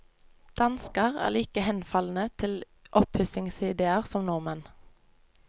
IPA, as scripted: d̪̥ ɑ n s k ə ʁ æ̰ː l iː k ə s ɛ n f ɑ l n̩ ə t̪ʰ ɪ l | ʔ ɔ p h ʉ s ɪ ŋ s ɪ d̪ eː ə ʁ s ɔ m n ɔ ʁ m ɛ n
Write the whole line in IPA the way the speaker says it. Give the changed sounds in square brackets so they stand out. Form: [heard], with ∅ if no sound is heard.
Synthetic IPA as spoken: d̪̥ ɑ n s k ə ʁ æ̰ː l iː k ə [h] ɛ n f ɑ l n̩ ə t̪ʰ ɪ l | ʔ ɔ p h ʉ s ɪ ŋ s ɪ d̪ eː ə ʁ s ɔ m n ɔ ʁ m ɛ n